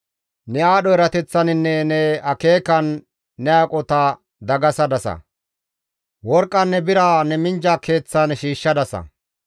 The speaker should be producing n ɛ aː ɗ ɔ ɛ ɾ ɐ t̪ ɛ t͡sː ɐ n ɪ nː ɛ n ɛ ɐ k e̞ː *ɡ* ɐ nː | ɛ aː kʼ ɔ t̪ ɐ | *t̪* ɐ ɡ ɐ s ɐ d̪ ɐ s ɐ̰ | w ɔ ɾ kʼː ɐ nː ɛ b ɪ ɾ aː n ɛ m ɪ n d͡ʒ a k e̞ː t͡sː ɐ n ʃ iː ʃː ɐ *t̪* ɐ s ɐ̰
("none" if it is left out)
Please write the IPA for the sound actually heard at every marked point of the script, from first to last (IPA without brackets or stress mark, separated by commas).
k, d̪, d̪